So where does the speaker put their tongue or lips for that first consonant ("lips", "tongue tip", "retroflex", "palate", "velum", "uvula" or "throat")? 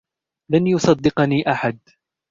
tongue tip